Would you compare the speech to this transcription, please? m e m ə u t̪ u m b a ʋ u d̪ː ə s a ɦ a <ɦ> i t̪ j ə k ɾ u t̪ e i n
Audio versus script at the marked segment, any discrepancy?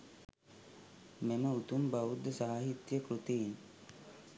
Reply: no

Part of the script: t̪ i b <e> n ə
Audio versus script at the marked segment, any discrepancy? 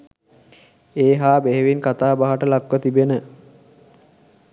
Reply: no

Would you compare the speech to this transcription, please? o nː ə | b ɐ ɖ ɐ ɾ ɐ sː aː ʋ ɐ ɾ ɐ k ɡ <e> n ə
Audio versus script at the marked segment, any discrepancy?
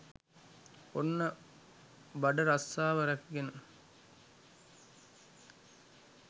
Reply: no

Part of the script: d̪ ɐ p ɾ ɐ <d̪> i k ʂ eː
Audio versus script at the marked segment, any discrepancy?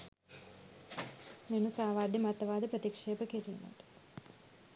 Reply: yes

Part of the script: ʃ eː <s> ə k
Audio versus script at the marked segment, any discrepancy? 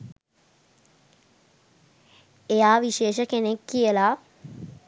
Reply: yes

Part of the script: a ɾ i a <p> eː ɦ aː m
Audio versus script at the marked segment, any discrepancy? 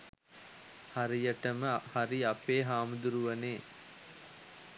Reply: no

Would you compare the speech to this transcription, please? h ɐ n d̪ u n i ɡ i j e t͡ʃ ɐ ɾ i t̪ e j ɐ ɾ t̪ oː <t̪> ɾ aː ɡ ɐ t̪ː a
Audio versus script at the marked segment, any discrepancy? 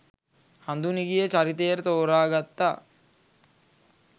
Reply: yes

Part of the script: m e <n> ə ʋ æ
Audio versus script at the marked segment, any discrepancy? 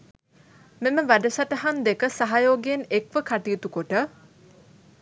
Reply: yes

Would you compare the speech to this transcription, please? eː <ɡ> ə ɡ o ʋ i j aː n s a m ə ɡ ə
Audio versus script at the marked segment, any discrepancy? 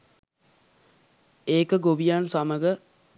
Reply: yes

